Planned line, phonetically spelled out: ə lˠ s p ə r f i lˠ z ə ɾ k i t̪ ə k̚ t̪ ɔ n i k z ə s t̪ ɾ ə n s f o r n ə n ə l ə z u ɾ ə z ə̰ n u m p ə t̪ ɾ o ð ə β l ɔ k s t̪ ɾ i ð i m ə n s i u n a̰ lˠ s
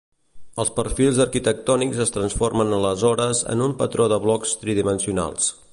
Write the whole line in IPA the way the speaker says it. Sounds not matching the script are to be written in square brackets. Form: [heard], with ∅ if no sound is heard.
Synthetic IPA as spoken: ə lˠ s p ə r f i lˠ z ə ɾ k i t̪ ə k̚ t̪ ɔ n i k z ə s t̪ ɾ ə n s f o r [m] ə n ə l ə z [ɔ] ɾ ə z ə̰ n u m p ə t̪ ɾ o ð ə β l ɔ k s t̪ ɾ i ð i m ə n s i u n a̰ lˠ s